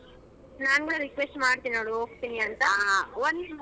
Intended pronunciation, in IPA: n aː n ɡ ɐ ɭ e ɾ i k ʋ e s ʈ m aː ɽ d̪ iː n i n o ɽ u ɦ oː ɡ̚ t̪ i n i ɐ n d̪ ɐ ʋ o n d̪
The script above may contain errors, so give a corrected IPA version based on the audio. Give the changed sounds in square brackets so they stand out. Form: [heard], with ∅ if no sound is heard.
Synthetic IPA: n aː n ɡ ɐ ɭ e ɾ i k ʋ e s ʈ m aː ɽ [t̪] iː n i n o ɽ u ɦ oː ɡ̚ t̪ i n i ɐ n [t̪] ɐ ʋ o n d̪